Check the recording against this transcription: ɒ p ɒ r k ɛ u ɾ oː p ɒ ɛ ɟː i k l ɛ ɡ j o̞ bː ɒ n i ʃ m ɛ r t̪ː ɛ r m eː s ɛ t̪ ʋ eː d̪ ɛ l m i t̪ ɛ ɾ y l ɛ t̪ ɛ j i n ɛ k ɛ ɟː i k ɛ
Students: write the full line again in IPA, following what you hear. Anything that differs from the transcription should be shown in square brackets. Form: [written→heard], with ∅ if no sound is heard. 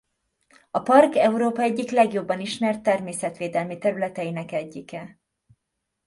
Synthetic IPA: ɒ p ɒ r k ɛ u ɾ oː p ɒ ɛ ɟː i k l ɛ ɡ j o̞ bː ɒ n i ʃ m ɛ r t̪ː ɛ r m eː s ɛ t̪ ʋ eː d̪ ɛ l m i t̪ ɛ ɾ y l ɛ t̪ ɛ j i n ɛ k ɛ ɟː i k ɛ

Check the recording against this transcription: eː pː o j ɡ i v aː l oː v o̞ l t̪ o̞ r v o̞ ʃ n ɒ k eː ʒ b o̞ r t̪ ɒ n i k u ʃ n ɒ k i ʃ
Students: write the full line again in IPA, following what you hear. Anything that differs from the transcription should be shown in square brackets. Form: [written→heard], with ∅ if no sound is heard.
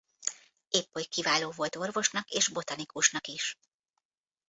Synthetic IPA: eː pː o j [ɡ→k] i v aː l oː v o̞ l t̪ o̞ r v o̞ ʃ n ɒ k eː ʒ b o̞ [r→∅] t̪ ɒ n i k u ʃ n ɒ k i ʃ

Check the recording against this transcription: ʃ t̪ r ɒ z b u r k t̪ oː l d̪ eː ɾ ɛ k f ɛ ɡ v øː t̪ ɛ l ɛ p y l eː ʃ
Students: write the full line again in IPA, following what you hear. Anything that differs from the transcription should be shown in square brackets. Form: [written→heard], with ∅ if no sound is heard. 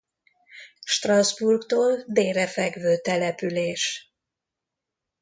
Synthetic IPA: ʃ t̪ r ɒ z b u r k t̪ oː l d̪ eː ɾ ɛ [k→∅] f ɛ ɡ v øː t̪ ɛ l ɛ p y l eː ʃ

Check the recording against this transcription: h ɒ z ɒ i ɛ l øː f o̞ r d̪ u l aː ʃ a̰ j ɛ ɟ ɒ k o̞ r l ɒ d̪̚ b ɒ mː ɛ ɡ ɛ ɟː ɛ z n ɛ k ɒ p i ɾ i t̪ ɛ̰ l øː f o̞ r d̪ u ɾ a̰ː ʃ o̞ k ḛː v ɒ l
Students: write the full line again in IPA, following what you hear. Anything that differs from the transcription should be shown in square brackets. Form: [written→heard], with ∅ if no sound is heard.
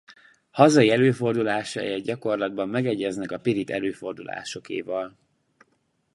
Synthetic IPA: h ɒ z ɒ i ɛ l øː f o̞ r d̪ u l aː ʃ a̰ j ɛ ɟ ɒ k o̞ r l ɒ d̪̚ b ɒ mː ɛ ɡ ɛ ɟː ɛ z n ɛ k ɒ p i ɾ i t̪ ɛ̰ l øː f o̞ r d̪ u [ɾ→l] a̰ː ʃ o̞ k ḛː v ɒ l

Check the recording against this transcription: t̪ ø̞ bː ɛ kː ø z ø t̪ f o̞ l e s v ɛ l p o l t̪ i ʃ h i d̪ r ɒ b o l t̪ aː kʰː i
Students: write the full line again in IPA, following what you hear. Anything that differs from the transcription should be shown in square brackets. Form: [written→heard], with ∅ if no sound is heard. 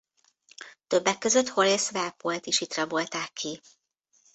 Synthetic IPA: t̪ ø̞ bː ɛ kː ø z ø t̪ [f→h] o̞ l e s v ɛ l p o l t̪ i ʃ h i [d̪→t̪] r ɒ b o l t̪ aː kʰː i

